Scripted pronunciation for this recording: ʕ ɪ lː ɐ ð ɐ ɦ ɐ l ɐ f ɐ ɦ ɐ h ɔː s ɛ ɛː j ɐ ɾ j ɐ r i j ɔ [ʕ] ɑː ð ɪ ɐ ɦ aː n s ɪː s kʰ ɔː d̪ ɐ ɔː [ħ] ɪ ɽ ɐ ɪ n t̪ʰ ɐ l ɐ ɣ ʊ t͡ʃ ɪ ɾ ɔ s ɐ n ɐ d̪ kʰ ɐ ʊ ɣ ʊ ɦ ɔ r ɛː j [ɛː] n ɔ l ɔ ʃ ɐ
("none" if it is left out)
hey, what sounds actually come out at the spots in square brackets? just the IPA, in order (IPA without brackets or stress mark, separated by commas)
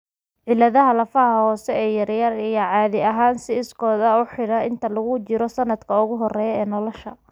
ʕ, ħ, ɛː